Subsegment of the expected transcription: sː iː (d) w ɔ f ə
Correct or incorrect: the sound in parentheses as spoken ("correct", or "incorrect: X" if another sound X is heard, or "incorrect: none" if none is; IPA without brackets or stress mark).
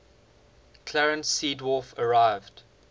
correct